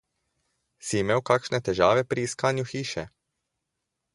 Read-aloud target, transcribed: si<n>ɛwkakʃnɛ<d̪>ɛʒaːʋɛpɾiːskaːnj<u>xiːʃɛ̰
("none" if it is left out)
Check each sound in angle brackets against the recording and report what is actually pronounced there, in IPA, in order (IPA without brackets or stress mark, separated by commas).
m, t̪, u